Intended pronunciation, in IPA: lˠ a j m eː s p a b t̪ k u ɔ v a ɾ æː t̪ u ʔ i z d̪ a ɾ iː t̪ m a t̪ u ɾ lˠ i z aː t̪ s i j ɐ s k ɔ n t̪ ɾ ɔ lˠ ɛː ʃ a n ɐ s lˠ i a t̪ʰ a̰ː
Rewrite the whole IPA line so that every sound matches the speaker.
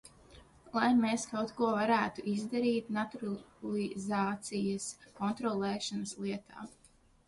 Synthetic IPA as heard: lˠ a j m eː s k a w t̪ k u ɔ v a ɾ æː t̪ u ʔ i z d̪ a ɾ iː t̪ n a t̪ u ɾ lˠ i z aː t̪ s i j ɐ s k ɔ n t̪ ɾ ɔ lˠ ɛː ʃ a n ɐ s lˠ i ɛ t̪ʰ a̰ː